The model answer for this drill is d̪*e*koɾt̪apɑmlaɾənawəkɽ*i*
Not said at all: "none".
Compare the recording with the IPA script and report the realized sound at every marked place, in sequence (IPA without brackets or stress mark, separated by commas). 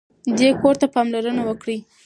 e, i